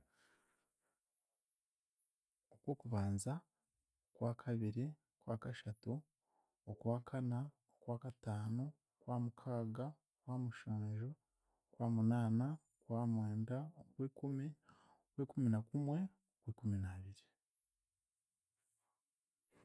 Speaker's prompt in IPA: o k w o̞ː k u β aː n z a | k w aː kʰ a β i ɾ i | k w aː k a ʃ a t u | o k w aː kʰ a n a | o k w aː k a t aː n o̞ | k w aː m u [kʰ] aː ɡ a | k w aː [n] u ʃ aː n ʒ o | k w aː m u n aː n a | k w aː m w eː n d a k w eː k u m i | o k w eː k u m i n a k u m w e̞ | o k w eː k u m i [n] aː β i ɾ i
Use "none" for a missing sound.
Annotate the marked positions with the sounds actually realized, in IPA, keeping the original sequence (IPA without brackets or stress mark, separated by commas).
kʰ, m, n